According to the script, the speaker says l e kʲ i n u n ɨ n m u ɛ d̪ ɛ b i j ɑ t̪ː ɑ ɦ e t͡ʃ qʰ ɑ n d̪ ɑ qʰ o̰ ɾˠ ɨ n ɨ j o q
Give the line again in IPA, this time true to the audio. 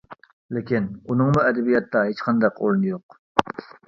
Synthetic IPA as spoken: l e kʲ i n u n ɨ ŋ m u ɛ d̪ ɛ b i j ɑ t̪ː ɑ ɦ e t͡ʃ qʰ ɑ n d̪ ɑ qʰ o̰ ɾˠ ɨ n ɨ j o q